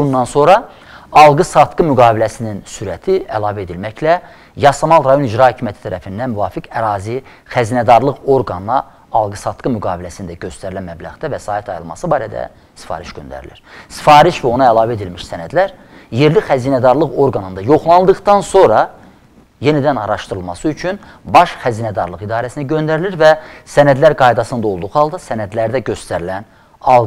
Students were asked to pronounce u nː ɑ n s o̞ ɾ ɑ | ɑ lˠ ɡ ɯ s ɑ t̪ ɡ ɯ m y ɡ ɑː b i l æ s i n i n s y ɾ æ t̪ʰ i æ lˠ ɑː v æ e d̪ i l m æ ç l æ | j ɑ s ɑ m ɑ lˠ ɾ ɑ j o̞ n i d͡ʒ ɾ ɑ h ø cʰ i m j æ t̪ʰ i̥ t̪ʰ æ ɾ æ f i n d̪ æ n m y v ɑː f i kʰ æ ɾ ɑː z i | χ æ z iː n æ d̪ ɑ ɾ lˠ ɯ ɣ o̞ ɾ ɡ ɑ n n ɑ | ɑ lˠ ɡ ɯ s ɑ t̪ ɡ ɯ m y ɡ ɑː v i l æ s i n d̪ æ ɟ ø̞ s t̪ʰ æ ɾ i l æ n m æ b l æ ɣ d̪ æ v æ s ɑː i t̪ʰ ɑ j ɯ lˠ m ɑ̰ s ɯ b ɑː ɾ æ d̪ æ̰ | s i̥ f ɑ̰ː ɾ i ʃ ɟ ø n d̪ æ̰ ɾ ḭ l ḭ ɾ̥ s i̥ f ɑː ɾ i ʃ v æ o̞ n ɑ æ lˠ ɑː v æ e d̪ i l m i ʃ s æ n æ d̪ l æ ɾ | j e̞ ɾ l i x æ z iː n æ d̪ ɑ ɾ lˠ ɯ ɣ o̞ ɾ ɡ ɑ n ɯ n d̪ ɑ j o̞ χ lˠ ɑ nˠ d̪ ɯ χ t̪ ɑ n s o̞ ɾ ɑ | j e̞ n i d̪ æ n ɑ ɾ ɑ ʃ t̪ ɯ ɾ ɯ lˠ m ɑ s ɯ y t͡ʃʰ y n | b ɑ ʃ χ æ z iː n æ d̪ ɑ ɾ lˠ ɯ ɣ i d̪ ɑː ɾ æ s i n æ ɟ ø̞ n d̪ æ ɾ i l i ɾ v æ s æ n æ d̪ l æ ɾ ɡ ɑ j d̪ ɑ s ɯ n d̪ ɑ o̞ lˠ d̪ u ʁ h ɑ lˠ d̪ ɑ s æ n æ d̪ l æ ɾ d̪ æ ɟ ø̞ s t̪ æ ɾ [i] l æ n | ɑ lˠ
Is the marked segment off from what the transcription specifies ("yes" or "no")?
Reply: no